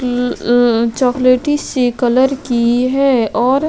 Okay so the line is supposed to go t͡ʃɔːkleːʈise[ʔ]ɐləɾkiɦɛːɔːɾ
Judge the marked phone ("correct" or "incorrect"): incorrect